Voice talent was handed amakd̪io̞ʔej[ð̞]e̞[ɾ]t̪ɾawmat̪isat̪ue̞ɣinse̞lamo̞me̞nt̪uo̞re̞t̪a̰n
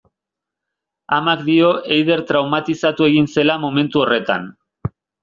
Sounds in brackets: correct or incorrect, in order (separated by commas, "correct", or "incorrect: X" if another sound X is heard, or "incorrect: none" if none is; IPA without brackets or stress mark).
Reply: correct, correct